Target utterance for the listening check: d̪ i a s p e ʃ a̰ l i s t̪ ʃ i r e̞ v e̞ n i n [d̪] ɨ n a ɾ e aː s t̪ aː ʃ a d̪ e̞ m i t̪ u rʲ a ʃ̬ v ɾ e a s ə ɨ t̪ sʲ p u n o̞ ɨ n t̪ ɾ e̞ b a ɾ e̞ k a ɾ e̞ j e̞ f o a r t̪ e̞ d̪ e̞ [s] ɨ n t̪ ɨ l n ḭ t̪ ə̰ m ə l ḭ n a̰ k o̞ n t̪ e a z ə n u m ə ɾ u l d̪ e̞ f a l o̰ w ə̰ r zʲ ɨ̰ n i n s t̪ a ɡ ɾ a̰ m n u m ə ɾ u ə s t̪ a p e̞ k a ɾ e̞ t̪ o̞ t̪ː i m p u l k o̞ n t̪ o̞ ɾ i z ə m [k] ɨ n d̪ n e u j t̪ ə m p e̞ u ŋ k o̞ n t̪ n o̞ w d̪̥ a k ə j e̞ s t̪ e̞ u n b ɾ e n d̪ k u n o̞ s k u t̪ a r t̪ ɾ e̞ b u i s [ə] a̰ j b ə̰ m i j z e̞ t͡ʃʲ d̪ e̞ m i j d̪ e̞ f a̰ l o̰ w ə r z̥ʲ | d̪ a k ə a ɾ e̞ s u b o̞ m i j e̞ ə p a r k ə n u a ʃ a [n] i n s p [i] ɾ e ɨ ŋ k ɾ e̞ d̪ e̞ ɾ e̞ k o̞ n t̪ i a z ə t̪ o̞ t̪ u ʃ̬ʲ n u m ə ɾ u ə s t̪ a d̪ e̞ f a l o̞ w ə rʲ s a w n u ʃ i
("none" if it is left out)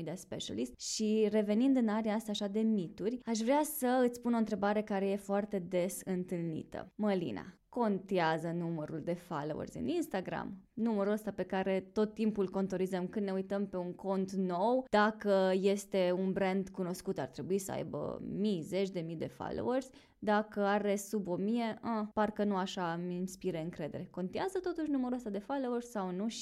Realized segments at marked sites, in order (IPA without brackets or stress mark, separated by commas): d̪, s, k, ə, m, i